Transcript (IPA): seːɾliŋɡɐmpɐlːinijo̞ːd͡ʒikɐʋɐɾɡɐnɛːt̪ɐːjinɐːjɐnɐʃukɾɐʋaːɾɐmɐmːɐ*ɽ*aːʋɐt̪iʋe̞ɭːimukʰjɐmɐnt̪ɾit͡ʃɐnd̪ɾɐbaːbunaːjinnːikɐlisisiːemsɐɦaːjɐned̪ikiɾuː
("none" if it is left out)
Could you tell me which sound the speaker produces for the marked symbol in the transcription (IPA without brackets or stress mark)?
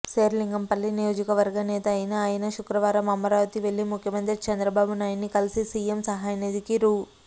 ɾ